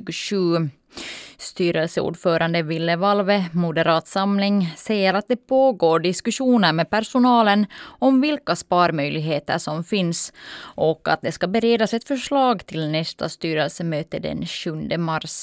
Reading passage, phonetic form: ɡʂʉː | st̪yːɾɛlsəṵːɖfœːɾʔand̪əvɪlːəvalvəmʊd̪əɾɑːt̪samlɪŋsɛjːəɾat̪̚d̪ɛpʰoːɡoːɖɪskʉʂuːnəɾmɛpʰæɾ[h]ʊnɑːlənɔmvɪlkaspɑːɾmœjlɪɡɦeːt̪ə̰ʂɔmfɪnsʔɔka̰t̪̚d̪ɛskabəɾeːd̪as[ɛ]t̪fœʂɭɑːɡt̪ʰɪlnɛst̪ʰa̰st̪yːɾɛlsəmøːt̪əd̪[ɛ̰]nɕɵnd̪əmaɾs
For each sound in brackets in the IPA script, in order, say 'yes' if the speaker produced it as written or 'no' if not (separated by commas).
no, yes, yes